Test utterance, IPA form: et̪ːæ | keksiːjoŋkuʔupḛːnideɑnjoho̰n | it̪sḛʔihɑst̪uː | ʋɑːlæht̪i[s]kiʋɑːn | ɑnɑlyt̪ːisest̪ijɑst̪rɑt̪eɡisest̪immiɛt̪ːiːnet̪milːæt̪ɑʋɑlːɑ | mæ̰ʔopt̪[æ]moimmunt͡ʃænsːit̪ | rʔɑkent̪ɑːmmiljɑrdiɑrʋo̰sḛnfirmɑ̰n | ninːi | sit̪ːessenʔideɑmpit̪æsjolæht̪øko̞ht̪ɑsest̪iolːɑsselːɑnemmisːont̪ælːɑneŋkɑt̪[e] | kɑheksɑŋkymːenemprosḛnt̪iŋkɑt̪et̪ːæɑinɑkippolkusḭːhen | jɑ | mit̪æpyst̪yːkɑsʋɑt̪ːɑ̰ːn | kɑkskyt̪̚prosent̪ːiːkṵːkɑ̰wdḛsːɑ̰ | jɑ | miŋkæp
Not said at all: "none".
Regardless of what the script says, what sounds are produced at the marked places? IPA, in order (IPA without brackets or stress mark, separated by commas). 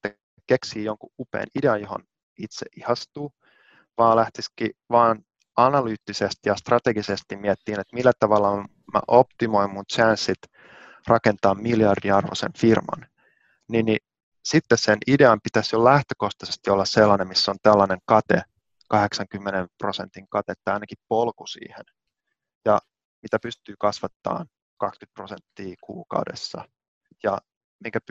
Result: s, i, e